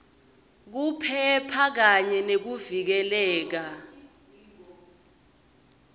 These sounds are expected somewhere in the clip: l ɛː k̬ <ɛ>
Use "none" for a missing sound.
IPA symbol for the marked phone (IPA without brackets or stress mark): a